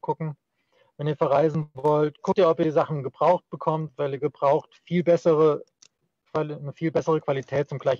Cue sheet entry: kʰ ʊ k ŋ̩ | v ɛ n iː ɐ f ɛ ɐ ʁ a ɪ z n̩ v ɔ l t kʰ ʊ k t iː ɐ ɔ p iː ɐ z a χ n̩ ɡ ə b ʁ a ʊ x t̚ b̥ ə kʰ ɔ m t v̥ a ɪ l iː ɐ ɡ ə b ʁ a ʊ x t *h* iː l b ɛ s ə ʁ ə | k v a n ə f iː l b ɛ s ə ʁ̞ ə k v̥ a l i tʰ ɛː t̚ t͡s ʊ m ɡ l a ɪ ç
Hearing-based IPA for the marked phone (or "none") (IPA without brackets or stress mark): f